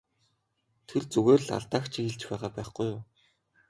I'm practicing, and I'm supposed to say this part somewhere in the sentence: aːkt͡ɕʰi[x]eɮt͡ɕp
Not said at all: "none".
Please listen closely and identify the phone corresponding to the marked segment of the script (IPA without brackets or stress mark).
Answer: x